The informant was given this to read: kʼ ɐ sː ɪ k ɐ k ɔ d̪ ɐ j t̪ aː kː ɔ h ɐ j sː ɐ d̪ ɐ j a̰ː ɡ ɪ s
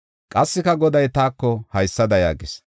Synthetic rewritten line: kʼ ɐ sː ɪ k ɐ ɡ ɔ d̪ ɐ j t̪ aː kː ɔ h ɐ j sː ɐ d̪ ɐ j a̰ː ɡ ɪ s